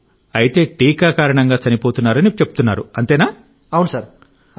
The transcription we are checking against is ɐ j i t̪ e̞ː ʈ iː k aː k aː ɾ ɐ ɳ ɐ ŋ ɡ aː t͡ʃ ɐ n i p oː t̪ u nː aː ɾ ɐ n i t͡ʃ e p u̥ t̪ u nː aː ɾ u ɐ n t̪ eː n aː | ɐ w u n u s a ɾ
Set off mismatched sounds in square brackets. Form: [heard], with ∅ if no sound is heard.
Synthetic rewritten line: ɐ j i t̪ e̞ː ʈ iː k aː k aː ɾ ɐ ɳ ɐ ŋ ɡ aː t͡ʃ ɐ n i p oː t̪ u nː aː ɾ ɐ n i t͡ʃ e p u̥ t̪ u nː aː ɾ u ɐ n t̪ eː n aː | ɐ w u n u s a ɾ